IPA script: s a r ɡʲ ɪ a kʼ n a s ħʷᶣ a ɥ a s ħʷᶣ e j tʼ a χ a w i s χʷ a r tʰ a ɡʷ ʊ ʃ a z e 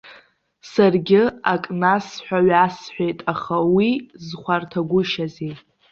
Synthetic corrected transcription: s a r ɡʲ ɪ a kʼ n a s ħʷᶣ a ɥ a s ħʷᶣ e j tʼ a χ a w i z χʷ a r tʰ a ɡʷ ʊ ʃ a z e

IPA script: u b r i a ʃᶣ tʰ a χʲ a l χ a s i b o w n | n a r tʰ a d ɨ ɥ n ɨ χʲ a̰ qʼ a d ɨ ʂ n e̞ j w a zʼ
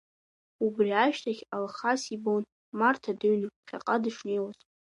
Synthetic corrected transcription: u b r i a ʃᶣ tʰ a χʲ a l χ a s i b o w n | m a r tʰ a d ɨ ɥ n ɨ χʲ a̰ qʼ a d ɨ ʂ n e̞ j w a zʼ

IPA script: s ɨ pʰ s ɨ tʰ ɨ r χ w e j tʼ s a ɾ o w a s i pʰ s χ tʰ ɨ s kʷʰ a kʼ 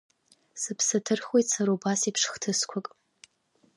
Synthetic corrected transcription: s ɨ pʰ s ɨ tʰ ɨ r χ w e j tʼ s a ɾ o b a s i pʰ ʂ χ tʰ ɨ s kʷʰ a kʼ

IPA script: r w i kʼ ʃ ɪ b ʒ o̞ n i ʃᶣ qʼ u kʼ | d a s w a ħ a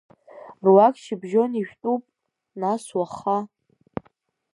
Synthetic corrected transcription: r w a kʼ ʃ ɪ b ʒ o̞ n i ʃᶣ tʼ u pʼ | n a s w a χ a

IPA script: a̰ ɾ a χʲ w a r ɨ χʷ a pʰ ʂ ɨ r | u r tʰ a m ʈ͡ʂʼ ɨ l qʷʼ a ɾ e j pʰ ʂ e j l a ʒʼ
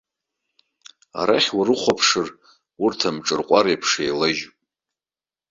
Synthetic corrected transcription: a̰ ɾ a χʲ w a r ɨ χʷ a pʰ ʂ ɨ r | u r tʰ a m ʈ͡ʂʼ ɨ r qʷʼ a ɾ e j pʰ ʂ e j l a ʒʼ

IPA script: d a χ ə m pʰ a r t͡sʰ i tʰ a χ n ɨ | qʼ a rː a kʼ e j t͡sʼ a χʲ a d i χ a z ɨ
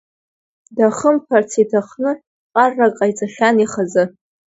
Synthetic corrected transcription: d a χ ə m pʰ a r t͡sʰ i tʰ a χ n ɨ | qʼ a rː a kʼ a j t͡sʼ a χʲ a n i χ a z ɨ

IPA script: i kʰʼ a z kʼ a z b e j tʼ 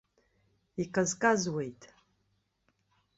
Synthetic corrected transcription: i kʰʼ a z kʼ a z w e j tʼ

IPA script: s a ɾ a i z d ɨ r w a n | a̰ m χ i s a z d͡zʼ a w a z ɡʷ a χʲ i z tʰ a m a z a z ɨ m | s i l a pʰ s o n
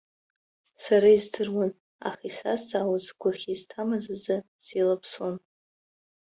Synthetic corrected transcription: s a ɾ a i z d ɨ r w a n | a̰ χ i s a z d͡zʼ a w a z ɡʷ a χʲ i z tʰ a m a z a z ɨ | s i l a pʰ s o n

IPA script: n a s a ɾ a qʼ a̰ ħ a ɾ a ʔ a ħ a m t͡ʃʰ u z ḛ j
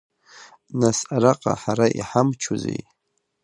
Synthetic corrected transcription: n a s a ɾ a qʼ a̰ ħ a ɾ a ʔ i ħ a m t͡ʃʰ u z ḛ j

